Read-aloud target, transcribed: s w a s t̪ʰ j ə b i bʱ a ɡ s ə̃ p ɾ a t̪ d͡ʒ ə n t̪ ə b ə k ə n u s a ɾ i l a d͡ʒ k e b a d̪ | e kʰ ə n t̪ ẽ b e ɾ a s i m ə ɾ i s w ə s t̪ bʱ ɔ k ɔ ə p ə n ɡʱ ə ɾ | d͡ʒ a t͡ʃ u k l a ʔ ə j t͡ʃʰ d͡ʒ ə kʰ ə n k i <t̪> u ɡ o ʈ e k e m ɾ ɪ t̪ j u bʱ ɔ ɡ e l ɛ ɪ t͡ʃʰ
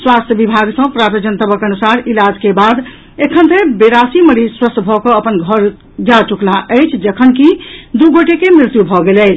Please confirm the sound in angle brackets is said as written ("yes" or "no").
no